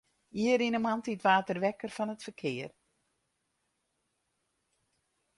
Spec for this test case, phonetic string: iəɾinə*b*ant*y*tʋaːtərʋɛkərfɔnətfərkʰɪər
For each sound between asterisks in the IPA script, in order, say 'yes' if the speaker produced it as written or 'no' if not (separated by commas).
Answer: no, no